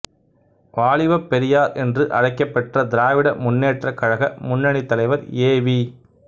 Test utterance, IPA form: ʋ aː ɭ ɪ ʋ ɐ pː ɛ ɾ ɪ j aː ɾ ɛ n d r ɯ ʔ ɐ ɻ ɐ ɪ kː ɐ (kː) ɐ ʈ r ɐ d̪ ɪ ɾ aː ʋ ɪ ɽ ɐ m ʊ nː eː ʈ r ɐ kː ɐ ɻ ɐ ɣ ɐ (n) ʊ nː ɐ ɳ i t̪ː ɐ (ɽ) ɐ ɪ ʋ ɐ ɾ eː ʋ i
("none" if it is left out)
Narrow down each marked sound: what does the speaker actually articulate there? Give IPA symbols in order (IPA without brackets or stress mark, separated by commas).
pː, m, l